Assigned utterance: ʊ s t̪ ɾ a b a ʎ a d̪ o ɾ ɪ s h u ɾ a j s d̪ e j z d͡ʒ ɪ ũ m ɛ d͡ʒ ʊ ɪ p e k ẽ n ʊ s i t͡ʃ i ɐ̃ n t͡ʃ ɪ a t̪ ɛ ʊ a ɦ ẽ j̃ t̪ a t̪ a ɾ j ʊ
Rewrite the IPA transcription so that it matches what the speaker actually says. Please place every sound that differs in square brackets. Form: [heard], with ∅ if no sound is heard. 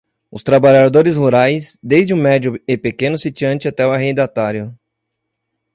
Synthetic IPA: ʊ s t̪ ɾ a b a ʎ a d̪ o ɾ ɪ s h u ɾ a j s d̪ e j z d͡ʒ ɪ ũ m ɛ d͡ʒ ʊ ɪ p e k ẽ n ʊ s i t͡ʃ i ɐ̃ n t͡ʃ ɪ a t̪ ɛ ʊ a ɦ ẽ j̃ [d̪] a t̪ a ɾ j ʊ